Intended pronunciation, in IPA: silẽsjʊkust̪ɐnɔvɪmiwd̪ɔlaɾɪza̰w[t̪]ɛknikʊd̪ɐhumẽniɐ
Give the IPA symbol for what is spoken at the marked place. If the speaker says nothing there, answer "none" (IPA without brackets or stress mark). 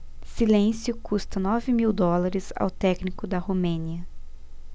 t̪